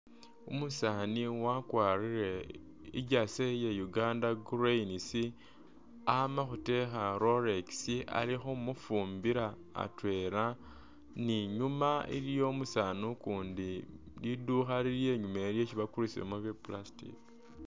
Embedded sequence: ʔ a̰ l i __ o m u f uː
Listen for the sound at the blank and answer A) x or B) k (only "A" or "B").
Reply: A